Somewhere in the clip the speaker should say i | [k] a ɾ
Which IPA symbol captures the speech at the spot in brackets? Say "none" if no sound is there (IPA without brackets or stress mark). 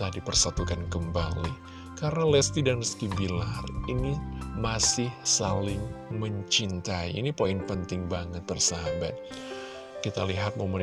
k